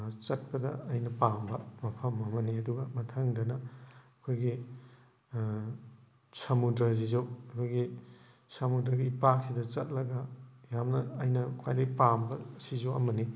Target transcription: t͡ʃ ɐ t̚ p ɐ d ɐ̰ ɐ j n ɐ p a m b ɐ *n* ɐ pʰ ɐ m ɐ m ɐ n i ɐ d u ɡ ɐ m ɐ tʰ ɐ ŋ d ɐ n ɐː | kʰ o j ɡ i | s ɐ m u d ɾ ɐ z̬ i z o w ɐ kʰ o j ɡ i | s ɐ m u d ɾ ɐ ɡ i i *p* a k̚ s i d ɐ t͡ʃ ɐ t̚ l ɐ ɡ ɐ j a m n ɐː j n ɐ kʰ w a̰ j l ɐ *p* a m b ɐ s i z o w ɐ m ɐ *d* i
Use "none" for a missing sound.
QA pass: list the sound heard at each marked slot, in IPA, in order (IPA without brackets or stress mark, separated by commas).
m, p, p, n